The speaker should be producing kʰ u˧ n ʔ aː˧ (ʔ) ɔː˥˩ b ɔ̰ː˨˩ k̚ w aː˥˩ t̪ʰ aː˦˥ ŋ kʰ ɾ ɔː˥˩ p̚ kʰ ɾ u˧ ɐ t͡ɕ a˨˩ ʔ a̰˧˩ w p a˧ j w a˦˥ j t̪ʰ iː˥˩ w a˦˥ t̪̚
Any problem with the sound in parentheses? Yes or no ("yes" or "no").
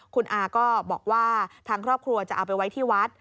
yes